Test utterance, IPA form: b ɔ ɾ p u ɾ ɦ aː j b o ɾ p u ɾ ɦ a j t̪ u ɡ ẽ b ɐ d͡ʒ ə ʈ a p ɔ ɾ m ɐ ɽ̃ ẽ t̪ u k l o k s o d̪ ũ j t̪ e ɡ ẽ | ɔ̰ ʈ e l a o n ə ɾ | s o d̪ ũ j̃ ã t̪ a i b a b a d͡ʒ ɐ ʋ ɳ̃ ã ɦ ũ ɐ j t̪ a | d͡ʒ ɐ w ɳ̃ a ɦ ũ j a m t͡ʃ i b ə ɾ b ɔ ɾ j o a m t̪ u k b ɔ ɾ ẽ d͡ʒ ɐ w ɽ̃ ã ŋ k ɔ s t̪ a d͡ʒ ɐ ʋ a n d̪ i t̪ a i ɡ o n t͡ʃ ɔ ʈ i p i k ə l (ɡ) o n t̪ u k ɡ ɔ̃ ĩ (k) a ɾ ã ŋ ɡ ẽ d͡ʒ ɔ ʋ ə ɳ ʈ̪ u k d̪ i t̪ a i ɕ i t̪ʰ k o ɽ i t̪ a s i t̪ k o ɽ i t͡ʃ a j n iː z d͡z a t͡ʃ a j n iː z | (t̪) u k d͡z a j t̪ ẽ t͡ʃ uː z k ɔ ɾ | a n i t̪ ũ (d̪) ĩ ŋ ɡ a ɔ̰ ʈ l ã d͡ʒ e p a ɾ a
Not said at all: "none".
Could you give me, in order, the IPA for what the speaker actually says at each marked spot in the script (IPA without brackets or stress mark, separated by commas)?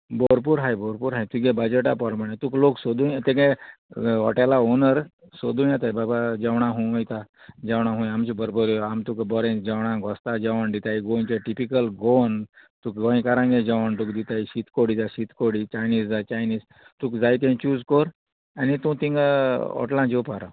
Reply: ɡ, k, t̪, t̪